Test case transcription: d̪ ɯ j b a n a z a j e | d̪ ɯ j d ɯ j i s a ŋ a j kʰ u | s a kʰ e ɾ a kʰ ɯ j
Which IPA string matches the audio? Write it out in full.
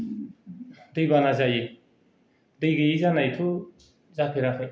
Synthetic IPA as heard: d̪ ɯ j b a n a z a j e | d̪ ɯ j ɡ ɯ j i z a n a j tʰ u | z a pʰ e ɾ a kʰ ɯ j